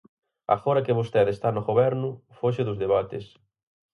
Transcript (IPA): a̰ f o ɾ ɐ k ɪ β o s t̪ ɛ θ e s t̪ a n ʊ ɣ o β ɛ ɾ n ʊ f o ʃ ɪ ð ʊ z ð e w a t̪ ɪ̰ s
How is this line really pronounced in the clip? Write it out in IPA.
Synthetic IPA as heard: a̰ f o ɾ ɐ k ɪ β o s t̪ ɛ ð e s t̪ a n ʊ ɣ o β ɛ ɾ n ʊ f o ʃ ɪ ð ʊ z ð e β a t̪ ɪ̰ s

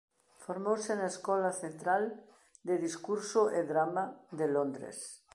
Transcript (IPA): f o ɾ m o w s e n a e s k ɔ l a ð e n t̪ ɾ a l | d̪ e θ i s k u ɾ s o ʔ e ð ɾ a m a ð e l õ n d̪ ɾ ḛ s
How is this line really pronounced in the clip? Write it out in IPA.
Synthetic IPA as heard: f o ɾ m o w s e n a e s k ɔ l a θ e n t̪ ɾ a l | d̪ e ð i s k u ɾ s o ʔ e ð ɾ a m a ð e l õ n d̪ ɾ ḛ s

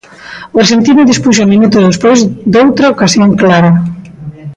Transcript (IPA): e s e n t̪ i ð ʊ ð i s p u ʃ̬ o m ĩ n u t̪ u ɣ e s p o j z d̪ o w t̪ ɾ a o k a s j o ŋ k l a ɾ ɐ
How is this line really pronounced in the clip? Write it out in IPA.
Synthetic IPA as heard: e s e n t̪ i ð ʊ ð i s p u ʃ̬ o m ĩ n u t̪ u ð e s p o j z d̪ o w t̪ ɾ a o k a s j o ŋ k l a ɾ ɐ

